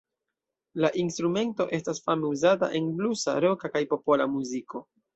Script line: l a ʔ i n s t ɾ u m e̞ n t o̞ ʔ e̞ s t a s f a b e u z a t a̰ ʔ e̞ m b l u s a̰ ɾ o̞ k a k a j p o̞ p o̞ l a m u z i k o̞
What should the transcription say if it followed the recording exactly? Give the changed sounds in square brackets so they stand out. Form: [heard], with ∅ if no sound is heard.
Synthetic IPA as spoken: l a ʔ i n s t ɾ u m e̞ n t o̞ ʔ e̞ s t a s f a [m] e u z a t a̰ ʔ e̞ [n] b l u s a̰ ɾ o̞ k a k a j p o̞ p o̞ l a m u z i k o̞